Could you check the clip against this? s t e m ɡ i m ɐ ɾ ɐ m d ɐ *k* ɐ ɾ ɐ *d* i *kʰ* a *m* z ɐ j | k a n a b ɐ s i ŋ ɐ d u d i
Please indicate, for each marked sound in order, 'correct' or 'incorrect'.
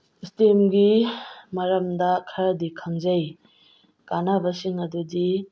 incorrect: kʰ, correct, correct, incorrect: ŋ

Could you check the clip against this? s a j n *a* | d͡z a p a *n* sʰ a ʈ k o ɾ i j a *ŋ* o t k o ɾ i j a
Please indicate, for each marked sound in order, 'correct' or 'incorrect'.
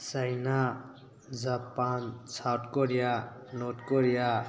correct, correct, incorrect: n

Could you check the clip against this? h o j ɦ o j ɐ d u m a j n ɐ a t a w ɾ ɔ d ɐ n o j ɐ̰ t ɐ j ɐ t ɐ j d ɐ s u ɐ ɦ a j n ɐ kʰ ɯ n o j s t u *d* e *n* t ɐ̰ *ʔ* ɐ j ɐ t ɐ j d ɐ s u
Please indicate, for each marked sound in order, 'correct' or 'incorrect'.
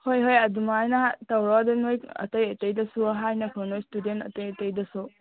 correct, correct, incorrect: t

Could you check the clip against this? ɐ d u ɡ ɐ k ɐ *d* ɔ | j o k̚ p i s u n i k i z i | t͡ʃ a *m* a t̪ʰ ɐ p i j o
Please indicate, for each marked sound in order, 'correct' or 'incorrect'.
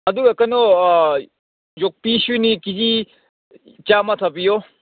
incorrect: n, correct

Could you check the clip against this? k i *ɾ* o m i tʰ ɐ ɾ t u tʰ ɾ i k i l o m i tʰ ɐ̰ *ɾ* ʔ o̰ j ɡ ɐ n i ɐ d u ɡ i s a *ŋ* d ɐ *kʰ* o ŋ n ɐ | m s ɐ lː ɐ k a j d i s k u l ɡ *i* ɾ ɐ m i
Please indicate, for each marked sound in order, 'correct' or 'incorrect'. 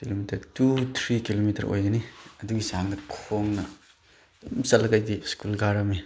incorrect: l, correct, correct, correct, incorrect: a

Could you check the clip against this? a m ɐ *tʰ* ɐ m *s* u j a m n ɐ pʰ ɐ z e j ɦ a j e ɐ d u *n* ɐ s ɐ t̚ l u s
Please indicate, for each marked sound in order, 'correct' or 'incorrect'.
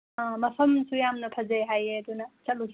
incorrect: pʰ, correct, correct

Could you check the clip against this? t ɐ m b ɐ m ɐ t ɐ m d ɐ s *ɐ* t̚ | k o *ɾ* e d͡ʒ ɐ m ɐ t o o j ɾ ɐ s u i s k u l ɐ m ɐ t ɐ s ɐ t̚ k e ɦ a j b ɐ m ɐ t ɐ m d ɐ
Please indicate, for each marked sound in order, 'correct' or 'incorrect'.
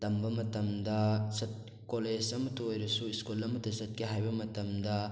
correct, incorrect: l

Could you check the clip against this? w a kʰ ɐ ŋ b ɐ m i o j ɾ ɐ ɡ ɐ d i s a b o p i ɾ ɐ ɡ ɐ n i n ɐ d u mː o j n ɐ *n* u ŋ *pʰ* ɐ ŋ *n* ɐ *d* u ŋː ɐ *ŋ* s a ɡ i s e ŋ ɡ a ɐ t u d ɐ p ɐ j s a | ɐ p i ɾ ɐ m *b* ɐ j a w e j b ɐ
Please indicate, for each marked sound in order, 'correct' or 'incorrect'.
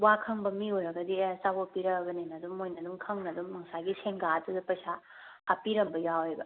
incorrect: d, incorrect: kʰ, correct, correct, correct, correct

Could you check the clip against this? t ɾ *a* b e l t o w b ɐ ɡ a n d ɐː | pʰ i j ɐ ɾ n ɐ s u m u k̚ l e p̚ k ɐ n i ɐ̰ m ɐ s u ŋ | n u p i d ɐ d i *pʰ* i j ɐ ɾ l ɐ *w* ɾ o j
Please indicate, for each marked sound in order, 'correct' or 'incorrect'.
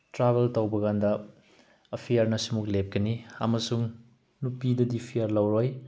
correct, correct, correct

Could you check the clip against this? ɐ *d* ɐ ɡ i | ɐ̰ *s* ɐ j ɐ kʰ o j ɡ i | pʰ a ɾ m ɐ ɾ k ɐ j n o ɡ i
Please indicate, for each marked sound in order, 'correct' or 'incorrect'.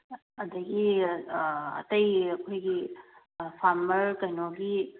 correct, incorrect: t

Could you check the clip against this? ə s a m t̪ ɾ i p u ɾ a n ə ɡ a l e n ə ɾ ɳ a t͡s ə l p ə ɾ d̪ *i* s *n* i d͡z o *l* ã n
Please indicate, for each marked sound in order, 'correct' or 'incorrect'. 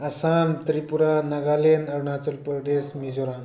incorrect: e, incorrect: m, incorrect: ɾ

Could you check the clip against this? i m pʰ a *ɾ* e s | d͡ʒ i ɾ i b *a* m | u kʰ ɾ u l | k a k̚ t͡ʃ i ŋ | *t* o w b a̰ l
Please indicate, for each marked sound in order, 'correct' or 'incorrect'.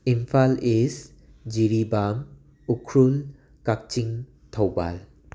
incorrect: l, correct, incorrect: tʰ

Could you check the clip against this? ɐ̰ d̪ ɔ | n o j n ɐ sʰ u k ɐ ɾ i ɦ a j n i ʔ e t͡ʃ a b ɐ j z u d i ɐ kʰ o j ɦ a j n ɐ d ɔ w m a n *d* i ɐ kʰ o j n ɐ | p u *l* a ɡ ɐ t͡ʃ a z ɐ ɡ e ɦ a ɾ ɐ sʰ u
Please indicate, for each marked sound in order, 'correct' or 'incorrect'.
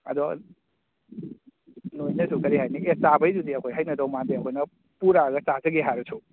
correct, incorrect: ɾ

